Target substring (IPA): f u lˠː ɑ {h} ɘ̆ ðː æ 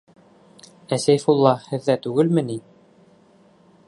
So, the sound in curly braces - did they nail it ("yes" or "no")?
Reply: yes